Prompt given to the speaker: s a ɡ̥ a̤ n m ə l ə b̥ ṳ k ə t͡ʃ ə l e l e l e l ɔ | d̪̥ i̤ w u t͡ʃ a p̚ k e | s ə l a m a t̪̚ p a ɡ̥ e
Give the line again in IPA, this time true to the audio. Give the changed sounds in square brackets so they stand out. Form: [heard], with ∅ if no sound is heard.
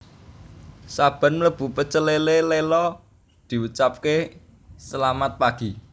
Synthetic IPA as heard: s a [b̥] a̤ n m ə l ə b̥ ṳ [p] ə t͡ʃ ə l e l e l e l ɔ | d̪̥ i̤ w u t͡ʃ a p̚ k e | s ə l a m a t̪̚ p a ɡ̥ [i]

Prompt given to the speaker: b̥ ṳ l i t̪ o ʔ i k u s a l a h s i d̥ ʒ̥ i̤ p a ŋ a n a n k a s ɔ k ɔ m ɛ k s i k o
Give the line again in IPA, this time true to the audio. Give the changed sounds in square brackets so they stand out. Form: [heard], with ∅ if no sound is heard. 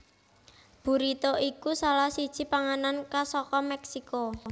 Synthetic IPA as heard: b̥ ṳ [ɾ] i t̪ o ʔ i k u s a l a h s i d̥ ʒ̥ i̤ p a ŋ a n a n k a s ɔ k ɔ m ɛ k s i k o

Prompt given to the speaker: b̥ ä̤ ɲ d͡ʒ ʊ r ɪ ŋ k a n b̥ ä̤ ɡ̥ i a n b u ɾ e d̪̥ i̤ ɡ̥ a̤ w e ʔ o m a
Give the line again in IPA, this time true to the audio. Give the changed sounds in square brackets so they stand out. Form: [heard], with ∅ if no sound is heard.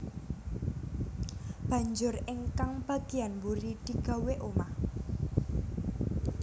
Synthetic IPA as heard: b̥ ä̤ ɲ d͡ʒ ʊ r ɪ ŋ k a [ŋ] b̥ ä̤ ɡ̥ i a n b u ɾ [i] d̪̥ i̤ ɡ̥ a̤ w e ʔ o m a

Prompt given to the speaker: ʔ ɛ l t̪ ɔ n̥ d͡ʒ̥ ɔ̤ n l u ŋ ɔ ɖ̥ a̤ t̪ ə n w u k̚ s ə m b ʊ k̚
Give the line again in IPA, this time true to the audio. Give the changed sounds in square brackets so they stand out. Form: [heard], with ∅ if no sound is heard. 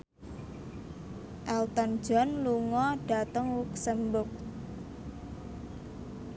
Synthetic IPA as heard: ʔ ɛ l t̪ ɔ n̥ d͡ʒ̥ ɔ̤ n l u ŋ ɔ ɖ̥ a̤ t̪ ə [ŋ] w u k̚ s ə m b ʊ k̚

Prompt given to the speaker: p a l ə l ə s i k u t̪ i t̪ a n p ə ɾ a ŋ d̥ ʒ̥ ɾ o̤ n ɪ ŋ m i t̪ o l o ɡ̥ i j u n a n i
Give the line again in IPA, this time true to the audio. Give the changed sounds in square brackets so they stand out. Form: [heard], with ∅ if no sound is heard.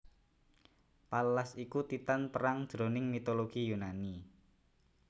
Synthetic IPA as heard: p a l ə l [a] s i k u t̪ i t̪ a n p ə ɾ a ŋ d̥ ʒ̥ ɾ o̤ n ɪ ŋ m i t̪ o l o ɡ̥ i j u n a n i

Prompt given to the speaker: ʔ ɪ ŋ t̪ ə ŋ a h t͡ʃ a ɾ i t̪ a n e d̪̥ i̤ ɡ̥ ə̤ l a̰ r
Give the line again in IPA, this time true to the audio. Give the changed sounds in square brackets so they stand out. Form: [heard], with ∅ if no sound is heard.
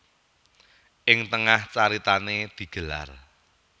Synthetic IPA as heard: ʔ ɪ ŋ t̪ ə ŋ a h t͡ʃ a ɾ i t̪ a n e d̪̥ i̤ ɡ̥ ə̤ l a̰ r

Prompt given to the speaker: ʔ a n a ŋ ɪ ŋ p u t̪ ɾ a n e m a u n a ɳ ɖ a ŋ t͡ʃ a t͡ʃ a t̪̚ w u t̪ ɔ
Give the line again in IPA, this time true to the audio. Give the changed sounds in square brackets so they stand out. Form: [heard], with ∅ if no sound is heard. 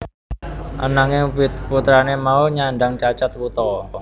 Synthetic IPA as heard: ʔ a n a ŋ ɪ ŋ p u t̪ ɾ a n e m a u [ɲ] a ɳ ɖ a ŋ t͡ʃ a t͡ʃ a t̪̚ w u t̪ ɔ

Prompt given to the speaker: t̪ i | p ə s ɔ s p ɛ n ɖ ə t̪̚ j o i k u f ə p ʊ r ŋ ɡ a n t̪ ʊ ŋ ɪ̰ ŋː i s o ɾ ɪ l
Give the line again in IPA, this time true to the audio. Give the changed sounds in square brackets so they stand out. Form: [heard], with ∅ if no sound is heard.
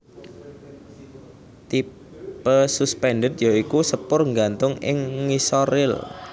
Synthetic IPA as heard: t̪ i | p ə s [u] s p ɛ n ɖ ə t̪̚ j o i k u [s] ə p ʊ r ŋ ɡ a n t̪ ʊ ŋ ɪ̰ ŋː i s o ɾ ɪ l

